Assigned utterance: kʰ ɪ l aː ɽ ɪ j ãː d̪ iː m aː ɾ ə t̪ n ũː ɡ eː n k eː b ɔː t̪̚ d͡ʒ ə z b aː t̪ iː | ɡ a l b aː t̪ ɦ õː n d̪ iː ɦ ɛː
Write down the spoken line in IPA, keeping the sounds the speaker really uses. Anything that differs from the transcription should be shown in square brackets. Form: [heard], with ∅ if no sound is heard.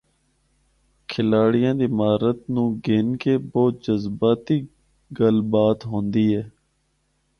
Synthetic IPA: kʰ ɪ l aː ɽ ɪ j ãː d̪ iː m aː ɾ ə t̪ n ũː ɡ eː n k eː b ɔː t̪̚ d͡ʒ ə z b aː t̪ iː | ɡ [ə] l b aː t̪ ɦ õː n d̪ iː ɦ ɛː